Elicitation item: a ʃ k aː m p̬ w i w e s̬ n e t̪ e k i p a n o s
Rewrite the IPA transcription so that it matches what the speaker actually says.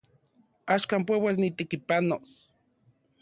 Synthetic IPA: a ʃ k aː m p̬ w e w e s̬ n i t̪ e k i p a n o s